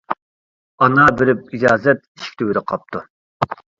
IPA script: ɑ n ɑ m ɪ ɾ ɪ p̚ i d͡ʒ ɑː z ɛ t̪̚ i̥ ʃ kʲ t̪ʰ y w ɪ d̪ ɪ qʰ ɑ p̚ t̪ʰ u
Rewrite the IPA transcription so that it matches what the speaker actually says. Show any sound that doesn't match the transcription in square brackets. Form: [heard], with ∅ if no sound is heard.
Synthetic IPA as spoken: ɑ n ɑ [b] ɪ ɾ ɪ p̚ i d͡ʒ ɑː z ɛ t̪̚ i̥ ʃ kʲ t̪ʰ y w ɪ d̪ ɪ qʰ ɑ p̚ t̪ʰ u